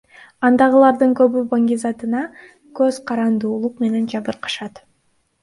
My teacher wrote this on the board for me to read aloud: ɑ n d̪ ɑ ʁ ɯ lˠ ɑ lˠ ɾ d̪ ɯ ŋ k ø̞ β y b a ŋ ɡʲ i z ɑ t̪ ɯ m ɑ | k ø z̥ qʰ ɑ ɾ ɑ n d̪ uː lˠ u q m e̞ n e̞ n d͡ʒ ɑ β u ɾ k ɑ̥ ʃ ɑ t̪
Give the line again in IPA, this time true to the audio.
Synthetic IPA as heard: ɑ n d̪ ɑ ʁ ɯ lˠ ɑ ɾ d̪ ɯ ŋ k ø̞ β y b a ŋ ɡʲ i z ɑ t̪ ɯ n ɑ | k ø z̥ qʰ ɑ ɾ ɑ n d̪ uː lˠ u q m e̞ n e̞ n d͡ʒ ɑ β ɯ ɾ q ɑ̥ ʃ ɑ t̪